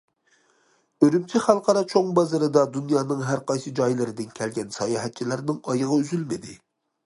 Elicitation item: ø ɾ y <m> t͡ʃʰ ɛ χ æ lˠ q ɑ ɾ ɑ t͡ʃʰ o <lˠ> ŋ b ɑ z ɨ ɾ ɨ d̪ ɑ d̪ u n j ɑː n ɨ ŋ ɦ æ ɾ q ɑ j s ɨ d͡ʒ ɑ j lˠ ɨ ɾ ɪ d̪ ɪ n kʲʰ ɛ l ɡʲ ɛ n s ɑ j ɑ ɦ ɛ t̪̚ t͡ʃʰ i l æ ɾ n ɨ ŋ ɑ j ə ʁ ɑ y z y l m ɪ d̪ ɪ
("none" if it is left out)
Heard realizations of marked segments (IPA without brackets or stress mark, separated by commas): m, none